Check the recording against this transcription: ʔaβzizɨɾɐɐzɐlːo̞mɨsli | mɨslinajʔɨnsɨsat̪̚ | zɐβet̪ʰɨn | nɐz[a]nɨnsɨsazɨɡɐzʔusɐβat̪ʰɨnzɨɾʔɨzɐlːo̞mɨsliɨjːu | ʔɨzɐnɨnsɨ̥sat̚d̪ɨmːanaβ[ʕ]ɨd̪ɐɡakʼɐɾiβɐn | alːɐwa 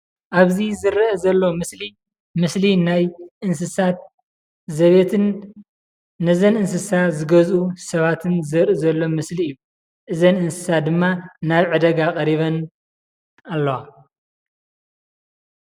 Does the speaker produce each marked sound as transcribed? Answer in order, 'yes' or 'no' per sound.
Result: no, yes

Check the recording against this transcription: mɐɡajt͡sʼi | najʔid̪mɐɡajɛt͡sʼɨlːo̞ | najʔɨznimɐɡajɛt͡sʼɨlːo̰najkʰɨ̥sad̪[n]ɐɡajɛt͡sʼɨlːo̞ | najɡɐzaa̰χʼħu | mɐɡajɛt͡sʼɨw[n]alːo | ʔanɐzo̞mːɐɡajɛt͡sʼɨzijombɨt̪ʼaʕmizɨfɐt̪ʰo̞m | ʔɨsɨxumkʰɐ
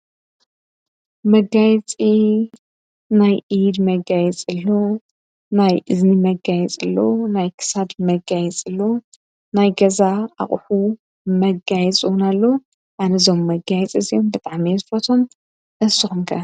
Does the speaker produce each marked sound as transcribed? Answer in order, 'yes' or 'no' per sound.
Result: no, yes

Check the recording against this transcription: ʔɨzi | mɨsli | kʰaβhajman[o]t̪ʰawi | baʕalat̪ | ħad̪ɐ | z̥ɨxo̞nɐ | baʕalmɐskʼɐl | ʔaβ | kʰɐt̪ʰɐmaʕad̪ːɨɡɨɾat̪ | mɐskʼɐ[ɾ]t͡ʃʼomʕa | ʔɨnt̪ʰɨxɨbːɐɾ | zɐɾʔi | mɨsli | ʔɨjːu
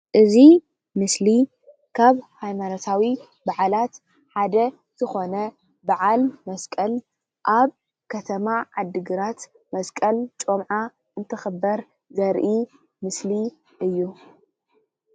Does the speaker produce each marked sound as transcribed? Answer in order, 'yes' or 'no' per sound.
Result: yes, no

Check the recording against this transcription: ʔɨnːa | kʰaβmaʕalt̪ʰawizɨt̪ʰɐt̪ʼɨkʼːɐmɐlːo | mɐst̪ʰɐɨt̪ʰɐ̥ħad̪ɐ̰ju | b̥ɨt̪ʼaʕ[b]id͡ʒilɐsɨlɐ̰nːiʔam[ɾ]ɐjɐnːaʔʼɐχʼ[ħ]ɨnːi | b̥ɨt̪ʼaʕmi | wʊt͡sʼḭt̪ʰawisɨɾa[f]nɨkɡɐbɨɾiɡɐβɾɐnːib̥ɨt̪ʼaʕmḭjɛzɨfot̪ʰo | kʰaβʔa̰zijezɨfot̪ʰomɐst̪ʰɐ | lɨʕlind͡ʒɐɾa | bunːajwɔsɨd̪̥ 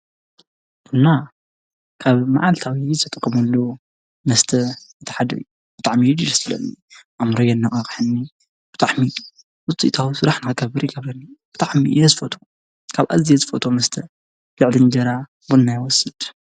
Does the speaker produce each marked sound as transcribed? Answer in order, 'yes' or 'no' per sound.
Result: no, yes, yes, no

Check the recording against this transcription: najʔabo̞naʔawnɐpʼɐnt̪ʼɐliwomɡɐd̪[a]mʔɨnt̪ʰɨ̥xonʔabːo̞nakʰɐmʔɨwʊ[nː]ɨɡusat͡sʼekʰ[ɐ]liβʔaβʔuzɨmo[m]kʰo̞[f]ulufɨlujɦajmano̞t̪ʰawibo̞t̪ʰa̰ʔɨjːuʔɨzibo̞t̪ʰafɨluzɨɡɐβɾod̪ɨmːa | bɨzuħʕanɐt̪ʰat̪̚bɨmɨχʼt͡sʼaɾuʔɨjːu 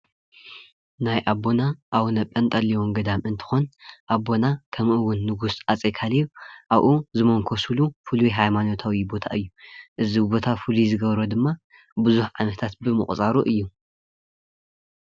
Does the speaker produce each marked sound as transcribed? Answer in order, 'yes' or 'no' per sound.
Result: yes, yes, no, no, no

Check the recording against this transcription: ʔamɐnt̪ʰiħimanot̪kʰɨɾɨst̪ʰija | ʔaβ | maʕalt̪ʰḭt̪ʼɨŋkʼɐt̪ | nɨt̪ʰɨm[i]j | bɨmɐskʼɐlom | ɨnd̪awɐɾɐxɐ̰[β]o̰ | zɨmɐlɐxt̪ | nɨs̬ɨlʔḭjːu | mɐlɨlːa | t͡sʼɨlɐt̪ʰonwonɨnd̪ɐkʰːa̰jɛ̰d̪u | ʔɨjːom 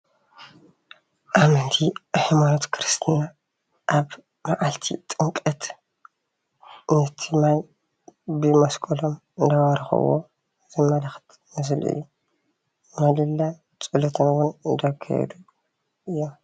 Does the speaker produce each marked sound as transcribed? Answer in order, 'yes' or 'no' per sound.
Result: no, no

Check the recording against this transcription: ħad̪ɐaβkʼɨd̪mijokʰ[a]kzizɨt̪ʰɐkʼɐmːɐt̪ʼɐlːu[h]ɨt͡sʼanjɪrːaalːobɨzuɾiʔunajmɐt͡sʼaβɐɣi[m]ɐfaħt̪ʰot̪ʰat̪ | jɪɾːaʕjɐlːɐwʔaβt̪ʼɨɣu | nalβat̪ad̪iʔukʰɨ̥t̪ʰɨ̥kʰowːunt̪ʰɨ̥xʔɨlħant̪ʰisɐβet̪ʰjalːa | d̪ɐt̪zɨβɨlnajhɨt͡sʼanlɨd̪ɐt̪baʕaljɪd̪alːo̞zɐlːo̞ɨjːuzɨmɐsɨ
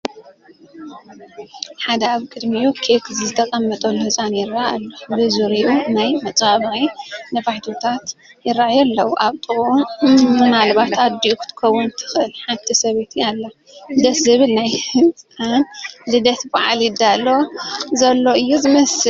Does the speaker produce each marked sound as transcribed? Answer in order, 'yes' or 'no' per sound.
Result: no, yes, no

